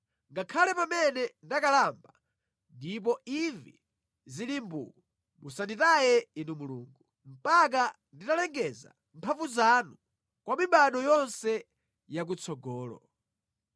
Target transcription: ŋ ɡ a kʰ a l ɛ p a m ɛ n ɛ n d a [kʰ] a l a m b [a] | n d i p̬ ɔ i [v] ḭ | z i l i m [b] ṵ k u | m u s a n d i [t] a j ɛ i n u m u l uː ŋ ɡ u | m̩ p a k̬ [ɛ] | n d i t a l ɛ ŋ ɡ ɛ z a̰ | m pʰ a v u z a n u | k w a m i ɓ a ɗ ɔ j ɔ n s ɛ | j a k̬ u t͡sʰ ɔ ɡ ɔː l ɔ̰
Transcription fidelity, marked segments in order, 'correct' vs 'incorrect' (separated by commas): incorrect, correct, correct, correct, correct, incorrect